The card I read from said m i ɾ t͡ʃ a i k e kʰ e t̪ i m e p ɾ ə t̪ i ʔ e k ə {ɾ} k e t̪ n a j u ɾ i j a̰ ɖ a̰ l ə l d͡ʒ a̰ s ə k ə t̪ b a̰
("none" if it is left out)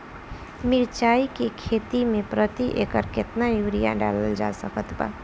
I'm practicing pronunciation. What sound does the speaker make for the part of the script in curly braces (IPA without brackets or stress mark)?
ɾ